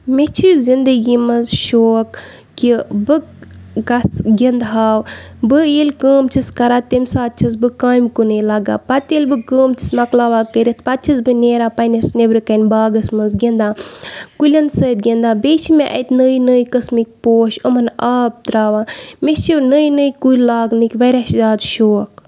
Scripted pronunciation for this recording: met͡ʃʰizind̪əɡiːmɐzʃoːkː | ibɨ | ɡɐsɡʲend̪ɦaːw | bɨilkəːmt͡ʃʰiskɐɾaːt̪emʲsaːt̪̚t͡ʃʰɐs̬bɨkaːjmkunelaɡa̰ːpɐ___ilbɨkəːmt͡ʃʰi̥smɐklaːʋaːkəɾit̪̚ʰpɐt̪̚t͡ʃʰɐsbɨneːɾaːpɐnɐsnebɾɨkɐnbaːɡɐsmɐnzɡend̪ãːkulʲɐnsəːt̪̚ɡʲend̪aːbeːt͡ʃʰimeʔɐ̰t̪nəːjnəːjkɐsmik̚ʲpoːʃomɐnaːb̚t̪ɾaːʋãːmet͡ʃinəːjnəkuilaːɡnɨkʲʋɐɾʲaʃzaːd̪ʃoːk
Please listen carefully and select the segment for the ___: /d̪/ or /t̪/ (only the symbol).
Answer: t̪